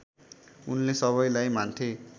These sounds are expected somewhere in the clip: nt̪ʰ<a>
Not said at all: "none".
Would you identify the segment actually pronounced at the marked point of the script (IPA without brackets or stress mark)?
e